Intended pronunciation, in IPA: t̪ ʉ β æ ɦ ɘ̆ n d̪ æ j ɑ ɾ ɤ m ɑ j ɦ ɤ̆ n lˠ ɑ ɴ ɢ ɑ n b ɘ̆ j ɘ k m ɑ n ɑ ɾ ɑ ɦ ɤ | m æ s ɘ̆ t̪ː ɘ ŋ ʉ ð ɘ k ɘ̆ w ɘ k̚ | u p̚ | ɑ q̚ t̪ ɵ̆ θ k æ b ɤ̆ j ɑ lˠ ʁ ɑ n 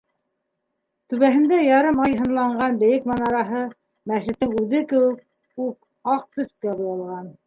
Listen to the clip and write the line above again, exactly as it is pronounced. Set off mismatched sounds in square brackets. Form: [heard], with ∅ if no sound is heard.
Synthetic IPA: t̪ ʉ β æ ɦ ɘ̆ n d̪ æ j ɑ ɾ ɤ m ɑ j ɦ ɤ̆ n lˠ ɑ ɴ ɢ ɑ n b ɘ̆ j ɘ k m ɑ n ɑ ɾ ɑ ɦ ɤ | m æ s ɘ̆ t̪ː ɘ ŋ ʉ ð ɘ k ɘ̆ w ɘ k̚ | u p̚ | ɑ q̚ t̪ ɵ̆ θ k æ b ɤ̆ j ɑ lˠ ʁ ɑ n